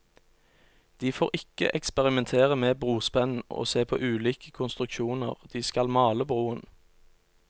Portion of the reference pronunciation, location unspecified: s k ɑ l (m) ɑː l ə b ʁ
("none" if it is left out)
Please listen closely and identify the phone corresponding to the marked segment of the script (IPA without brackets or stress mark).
m